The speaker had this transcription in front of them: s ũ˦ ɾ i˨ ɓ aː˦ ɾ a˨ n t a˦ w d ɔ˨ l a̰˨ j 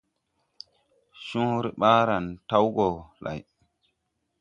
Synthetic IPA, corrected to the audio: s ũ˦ ɾ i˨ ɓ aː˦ ɾ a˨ n t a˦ w ɡ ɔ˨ l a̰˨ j